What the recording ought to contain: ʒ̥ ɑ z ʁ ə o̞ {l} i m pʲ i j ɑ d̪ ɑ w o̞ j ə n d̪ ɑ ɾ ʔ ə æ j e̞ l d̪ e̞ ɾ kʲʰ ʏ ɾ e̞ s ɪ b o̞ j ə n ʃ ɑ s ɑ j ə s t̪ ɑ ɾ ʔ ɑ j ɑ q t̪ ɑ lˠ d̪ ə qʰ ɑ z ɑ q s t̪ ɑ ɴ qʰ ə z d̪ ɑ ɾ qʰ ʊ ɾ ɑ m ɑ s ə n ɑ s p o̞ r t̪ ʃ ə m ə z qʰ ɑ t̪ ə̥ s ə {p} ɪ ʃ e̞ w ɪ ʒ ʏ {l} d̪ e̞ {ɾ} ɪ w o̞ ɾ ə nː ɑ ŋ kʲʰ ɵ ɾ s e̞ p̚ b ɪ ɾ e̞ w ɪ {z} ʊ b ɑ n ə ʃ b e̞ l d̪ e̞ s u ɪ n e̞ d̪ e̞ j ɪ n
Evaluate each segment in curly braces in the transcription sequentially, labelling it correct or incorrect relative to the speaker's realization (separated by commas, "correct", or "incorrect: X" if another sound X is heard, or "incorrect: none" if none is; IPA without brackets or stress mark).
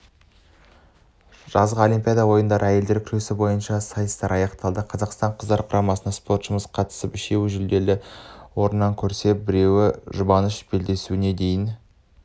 correct, correct, correct, incorrect: l, incorrect: ʒ